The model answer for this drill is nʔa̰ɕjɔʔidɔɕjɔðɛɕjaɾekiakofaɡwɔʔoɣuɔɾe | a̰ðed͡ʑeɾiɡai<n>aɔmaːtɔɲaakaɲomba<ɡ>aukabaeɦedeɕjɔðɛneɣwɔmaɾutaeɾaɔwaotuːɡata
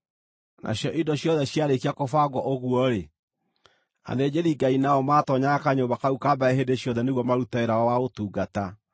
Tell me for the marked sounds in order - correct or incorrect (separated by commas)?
correct, incorrect